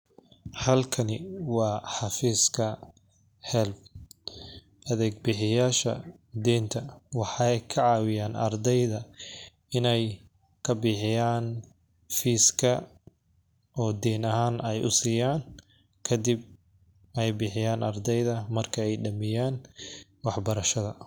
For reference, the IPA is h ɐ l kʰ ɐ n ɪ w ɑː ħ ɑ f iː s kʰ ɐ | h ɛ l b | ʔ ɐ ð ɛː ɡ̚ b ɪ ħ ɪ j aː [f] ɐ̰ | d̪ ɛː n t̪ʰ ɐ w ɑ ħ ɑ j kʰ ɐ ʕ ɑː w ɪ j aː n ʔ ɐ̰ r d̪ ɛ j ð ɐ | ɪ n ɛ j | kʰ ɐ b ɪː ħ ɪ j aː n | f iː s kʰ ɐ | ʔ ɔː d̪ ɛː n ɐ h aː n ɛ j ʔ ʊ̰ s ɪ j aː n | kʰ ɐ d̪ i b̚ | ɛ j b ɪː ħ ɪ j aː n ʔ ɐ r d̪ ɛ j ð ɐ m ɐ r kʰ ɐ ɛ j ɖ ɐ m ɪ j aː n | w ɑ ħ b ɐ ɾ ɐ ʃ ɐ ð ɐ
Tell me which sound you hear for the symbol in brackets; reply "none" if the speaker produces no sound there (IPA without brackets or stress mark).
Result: ʃ